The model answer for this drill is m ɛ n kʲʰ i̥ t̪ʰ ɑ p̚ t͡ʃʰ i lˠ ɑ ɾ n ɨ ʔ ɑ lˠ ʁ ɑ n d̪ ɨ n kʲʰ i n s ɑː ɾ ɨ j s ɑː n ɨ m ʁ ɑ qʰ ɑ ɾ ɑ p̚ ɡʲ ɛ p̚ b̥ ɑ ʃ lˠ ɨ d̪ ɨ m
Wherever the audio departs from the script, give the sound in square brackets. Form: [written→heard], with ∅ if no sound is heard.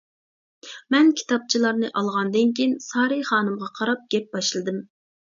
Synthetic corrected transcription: m ɛ n kʲʰ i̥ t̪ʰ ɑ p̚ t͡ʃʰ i lˠ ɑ ɾ n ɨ ʔ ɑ lˠ ʁ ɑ n d̪ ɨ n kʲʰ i n s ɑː ɾ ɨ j [s→χ] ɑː n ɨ m ʁ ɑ qʰ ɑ ɾ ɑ p̚ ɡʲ ɛ p̚ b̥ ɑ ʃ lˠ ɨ d̪ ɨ m